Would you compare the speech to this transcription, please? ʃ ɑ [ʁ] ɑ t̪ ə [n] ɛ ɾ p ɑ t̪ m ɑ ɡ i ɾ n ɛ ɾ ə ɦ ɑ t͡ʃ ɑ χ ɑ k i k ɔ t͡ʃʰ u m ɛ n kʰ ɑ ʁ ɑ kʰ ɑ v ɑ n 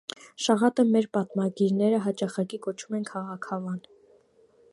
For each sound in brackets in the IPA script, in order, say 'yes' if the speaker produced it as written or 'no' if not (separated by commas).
yes, no